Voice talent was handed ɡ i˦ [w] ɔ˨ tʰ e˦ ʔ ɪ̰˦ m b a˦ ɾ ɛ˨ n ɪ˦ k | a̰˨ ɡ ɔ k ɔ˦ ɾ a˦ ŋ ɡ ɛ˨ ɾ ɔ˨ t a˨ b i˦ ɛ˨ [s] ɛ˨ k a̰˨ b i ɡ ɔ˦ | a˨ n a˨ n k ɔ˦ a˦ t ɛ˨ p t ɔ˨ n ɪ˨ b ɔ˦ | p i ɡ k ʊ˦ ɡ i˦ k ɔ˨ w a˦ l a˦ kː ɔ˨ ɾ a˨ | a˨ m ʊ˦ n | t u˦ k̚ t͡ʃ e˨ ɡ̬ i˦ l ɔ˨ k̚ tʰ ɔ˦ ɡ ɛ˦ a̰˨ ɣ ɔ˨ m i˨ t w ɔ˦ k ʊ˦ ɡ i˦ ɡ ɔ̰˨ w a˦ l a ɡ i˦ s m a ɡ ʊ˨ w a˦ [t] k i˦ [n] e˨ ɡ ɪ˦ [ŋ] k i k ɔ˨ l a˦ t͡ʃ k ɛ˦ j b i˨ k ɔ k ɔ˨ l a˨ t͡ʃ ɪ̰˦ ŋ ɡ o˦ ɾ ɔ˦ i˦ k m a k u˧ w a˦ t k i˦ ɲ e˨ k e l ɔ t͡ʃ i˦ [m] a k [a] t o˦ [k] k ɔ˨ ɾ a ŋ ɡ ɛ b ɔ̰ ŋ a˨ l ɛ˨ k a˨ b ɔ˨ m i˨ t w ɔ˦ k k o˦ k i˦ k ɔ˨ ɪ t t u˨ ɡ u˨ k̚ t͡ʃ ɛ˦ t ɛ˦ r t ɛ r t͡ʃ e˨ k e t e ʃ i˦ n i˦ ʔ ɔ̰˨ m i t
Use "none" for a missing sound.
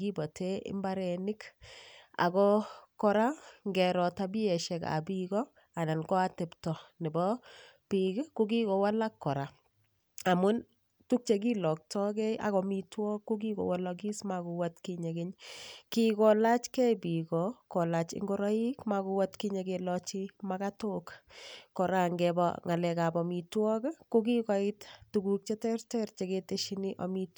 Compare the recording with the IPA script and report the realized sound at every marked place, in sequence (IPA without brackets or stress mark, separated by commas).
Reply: b, ʃ, t, ɲ, ɲ, m, a, k